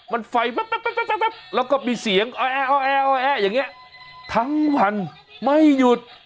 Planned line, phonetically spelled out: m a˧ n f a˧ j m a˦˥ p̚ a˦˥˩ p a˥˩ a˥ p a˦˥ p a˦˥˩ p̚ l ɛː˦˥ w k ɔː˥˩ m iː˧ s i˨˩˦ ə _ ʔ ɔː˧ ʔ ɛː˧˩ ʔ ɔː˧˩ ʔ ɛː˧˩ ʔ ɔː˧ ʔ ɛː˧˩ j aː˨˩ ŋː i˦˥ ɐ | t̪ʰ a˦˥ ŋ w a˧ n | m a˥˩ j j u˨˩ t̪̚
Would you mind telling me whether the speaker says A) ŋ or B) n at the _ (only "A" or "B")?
A